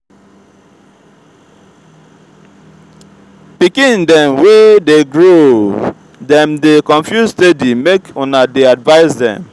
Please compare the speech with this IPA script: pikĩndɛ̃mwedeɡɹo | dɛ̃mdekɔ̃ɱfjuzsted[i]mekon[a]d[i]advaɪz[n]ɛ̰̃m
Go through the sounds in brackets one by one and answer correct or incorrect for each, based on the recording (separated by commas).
correct, correct, incorrect, incorrect